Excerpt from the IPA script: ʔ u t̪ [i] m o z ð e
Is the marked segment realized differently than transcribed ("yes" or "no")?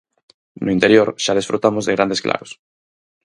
yes